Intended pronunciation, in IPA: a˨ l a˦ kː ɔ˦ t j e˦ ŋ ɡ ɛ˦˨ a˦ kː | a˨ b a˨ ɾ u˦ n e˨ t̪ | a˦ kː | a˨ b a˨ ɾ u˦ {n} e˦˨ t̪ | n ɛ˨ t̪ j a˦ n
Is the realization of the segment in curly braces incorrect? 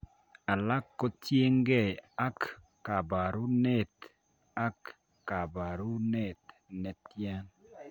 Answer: no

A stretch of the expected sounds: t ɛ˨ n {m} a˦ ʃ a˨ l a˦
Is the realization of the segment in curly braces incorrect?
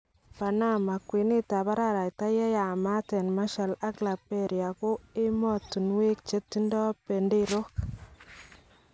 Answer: no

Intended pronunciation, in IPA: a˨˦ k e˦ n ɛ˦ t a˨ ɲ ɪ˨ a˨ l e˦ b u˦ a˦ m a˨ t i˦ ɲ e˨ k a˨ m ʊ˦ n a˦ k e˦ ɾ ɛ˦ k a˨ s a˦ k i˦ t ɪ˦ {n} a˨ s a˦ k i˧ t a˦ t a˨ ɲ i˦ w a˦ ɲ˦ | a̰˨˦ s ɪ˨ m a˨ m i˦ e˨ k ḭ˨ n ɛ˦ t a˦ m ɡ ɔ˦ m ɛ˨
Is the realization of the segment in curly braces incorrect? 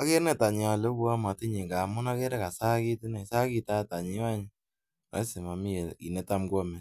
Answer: no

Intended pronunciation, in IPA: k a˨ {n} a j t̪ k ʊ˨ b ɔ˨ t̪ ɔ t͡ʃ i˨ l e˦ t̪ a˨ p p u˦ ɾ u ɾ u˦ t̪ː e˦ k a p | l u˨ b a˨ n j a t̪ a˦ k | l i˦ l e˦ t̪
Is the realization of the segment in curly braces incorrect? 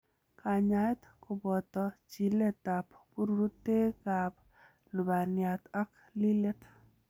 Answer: yes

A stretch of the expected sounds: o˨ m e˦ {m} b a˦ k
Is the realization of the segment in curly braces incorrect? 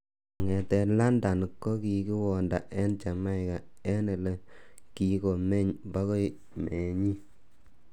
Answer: yes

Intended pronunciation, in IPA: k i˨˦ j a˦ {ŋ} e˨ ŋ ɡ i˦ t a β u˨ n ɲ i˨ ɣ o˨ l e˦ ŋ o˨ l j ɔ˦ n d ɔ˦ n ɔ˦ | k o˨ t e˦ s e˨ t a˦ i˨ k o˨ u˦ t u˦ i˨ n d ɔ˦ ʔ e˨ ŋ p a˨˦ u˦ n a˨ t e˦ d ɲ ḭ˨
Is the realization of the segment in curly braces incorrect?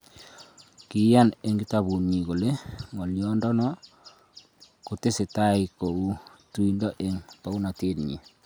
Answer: yes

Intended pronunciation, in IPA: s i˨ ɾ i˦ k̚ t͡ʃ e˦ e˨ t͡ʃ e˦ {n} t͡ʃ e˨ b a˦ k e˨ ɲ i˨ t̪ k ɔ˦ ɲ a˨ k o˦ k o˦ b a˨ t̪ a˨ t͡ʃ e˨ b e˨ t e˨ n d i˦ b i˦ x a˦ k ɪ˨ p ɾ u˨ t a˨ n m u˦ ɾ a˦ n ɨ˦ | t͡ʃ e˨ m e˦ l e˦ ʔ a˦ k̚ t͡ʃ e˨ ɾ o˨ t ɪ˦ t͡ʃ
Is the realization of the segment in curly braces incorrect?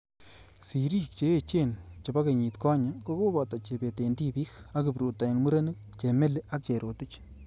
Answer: no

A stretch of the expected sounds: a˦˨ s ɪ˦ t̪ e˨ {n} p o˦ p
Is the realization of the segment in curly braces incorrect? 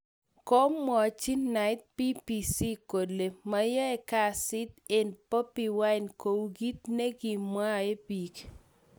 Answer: no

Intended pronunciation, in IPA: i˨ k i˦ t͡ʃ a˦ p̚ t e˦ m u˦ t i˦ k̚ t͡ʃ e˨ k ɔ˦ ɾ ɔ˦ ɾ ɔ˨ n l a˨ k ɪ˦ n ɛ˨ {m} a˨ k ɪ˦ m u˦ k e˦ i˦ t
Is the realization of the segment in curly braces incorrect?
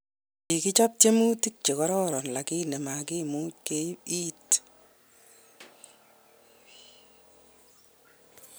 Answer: no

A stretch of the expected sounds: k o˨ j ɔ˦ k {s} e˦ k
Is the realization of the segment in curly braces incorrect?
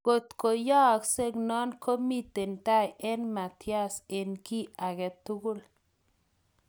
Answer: no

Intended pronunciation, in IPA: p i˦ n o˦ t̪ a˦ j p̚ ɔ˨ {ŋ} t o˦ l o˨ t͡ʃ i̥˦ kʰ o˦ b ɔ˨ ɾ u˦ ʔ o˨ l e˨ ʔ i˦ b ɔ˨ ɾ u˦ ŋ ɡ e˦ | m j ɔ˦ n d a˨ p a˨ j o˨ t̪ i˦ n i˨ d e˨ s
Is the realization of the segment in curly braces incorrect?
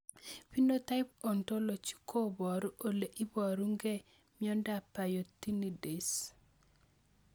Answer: yes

